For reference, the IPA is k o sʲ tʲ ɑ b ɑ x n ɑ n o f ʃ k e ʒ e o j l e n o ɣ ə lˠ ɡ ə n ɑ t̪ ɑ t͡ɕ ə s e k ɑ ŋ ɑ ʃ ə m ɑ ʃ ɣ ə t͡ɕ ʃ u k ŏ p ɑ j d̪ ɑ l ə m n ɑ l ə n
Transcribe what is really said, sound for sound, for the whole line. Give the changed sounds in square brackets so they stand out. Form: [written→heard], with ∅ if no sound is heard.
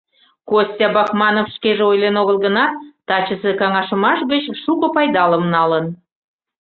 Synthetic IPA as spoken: k o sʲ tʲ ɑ b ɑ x [n→m] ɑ n o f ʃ k e ʒ e o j l e n o ɣ ə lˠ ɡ ə n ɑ t̪ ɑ t͡ɕ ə s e k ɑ ŋ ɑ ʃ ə m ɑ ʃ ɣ ə t͡ɕ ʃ u k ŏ p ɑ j d̪ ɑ l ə m n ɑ l ə n